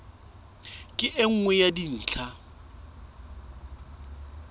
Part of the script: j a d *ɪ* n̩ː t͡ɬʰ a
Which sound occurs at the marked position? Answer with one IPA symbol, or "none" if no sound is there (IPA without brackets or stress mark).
i